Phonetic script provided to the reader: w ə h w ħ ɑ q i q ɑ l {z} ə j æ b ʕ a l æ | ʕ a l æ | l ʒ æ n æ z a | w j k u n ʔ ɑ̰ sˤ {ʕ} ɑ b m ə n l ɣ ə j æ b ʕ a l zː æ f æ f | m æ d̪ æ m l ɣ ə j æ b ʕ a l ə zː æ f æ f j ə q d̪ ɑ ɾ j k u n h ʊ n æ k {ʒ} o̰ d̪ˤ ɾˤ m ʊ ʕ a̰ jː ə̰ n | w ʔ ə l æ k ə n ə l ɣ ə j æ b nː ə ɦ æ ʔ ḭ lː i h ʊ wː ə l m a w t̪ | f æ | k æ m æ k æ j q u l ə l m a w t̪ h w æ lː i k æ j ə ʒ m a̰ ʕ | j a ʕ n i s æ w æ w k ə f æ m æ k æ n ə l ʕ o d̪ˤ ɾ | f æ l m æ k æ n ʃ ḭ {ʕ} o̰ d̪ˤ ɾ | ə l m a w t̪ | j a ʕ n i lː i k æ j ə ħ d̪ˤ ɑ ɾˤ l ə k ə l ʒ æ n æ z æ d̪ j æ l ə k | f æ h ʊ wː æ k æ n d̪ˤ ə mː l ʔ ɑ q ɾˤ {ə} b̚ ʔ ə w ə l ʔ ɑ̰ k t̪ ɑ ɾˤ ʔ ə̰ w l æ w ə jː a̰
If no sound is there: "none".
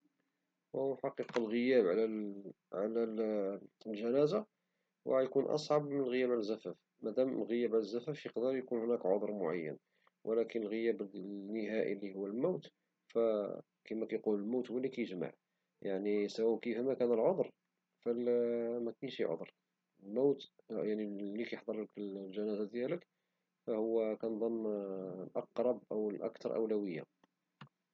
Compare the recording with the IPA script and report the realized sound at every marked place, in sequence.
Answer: ɣ, ʕ, ʕ, ʕ, ɑ

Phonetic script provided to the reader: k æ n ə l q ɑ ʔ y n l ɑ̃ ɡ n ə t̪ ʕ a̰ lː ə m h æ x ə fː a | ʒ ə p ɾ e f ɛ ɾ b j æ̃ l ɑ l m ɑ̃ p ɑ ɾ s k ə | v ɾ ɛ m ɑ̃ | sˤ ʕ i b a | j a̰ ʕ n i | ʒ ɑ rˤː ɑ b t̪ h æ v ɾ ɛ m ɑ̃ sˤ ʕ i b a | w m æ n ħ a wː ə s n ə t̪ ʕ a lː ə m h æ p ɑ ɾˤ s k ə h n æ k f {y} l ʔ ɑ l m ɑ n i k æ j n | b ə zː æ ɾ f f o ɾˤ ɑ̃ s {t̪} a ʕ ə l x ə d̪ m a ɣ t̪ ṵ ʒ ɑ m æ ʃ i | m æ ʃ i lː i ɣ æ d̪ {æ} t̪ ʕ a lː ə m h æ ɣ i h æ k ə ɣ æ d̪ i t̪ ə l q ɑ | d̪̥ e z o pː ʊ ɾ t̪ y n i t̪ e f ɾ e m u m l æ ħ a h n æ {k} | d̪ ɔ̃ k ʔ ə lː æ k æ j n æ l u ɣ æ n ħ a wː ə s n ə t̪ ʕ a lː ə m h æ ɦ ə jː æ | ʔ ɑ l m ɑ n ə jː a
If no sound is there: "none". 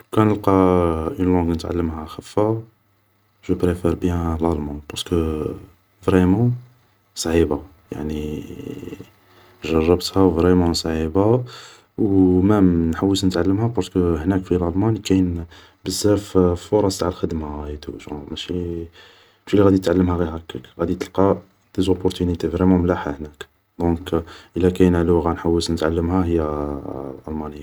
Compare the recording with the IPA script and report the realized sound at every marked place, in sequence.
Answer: i, t̪, i, k

